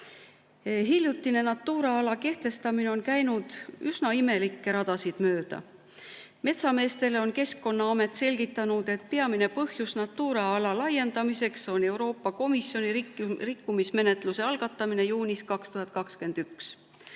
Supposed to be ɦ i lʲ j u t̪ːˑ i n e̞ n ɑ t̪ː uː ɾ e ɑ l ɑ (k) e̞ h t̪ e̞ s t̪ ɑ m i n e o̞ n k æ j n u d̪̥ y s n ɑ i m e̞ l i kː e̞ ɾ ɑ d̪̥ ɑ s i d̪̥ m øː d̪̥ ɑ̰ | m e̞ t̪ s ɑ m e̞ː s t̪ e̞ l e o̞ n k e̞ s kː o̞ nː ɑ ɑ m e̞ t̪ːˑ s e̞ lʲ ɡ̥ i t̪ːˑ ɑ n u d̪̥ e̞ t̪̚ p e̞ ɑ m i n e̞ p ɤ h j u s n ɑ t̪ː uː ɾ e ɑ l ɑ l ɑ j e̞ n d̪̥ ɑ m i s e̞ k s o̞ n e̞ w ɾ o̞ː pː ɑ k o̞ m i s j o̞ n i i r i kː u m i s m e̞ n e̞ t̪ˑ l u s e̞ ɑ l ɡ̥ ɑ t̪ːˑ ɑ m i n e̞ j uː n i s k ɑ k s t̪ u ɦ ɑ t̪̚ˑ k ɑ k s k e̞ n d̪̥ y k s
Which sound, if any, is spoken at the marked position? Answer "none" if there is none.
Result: k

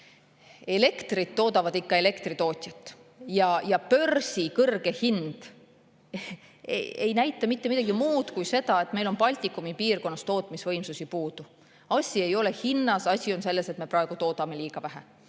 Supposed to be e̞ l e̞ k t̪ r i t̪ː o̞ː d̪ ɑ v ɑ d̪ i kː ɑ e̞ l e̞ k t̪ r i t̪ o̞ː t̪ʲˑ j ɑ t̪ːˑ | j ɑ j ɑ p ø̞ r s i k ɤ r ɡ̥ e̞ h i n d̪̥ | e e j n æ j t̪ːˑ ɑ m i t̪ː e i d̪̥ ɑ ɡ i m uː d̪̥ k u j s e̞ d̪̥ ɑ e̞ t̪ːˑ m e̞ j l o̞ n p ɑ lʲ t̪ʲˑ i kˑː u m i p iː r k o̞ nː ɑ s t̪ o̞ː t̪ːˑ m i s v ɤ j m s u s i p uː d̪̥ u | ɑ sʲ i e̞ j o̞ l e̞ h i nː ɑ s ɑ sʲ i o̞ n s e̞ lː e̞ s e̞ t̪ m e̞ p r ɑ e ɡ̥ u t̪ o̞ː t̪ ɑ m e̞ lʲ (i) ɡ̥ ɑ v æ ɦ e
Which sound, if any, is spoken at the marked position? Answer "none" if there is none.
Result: iː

